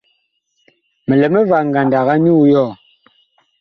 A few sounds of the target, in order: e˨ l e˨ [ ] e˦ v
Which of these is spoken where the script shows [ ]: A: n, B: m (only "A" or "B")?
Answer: B